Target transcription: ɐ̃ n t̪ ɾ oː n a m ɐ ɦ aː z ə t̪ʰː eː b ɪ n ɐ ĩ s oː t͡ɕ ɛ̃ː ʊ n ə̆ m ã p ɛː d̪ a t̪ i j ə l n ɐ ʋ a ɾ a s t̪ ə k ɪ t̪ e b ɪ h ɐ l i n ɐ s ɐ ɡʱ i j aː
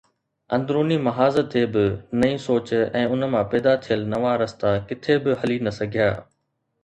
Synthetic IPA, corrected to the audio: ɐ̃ n d̪ ɾ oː n i m ɐ ɦ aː z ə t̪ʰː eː b ɪ n ɐ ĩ s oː t͡ɕ ɛ̃ː ʊ n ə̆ m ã p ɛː d̪ a t̪ʰ i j ə l n ɐ ʋ a ɾ ɐ s t̪ a k ɪ t̪ʰ e b ɪ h ɐ l i n ɐ s ɐ ɡʱ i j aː